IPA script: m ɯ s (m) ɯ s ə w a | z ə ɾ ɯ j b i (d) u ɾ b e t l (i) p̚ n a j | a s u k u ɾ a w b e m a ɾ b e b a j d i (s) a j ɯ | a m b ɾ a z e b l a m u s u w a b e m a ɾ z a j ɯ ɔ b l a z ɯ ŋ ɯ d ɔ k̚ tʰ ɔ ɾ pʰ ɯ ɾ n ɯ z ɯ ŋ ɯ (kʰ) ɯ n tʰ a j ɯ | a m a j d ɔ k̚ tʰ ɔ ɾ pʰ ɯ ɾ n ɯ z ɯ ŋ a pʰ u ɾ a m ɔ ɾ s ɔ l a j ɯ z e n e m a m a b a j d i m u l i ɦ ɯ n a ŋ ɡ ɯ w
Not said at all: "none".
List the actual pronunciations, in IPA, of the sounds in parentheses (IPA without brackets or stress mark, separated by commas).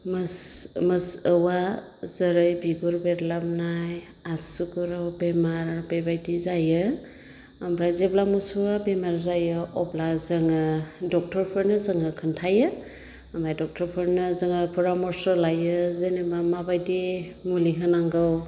m, ɡ, a, z, kʰ